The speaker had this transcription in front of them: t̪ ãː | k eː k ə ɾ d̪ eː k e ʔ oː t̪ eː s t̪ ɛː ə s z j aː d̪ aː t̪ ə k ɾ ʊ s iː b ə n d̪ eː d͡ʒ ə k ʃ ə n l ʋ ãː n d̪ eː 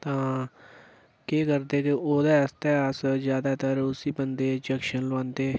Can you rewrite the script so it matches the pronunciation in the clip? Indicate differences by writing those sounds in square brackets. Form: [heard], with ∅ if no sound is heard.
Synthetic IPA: t̪ ãː | k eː k ə ɾ d̪ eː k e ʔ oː [d̪] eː s t̪ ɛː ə s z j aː d̪ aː t̪ ə [∅] ɾ ʊ s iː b ə n d̪ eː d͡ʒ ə k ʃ ə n l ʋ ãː n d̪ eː